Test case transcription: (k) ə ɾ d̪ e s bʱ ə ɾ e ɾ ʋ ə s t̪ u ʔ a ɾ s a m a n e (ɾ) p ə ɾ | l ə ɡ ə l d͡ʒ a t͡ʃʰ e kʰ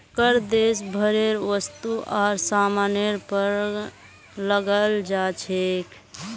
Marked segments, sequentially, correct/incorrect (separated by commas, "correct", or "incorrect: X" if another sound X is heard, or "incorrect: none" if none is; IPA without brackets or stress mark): correct, correct